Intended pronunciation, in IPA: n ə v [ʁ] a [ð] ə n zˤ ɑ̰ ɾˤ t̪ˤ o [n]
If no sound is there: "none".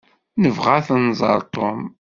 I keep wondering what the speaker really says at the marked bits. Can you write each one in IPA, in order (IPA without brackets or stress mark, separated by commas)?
ʁ, θ, m